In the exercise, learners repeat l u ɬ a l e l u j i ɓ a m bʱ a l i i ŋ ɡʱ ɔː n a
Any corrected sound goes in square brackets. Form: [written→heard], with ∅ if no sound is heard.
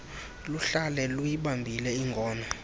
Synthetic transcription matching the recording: l u ɬ a l [e→ɛ] l u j i ɓ a m bʱ [a→i] l [i→ɛ] i ŋ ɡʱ ɔː n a